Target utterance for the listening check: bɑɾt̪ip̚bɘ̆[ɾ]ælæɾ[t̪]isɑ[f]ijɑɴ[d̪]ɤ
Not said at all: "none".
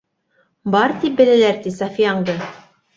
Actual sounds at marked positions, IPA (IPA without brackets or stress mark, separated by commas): l, t̪, f, d̪